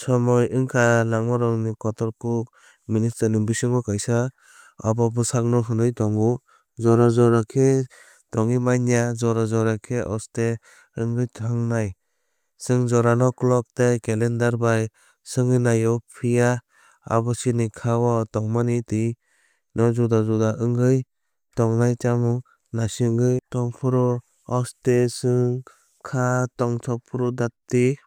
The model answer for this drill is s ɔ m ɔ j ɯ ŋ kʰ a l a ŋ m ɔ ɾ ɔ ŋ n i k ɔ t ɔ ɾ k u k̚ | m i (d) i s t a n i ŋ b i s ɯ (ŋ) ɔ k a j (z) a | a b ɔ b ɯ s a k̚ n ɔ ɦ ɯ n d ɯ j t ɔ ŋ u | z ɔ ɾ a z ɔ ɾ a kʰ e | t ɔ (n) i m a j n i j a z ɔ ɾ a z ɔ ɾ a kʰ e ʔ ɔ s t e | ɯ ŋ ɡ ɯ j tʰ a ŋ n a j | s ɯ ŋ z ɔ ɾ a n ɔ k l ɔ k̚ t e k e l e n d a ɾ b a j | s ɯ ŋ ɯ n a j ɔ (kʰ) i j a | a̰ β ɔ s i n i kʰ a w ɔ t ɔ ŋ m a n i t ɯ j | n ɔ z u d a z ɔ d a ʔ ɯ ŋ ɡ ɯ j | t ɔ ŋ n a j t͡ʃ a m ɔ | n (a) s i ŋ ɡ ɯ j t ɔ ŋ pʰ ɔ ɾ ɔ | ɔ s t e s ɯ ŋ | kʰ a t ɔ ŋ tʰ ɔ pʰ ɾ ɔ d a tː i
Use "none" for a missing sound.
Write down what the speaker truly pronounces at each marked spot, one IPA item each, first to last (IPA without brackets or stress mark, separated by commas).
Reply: n, ŋ, s, ŋ, pʰ, a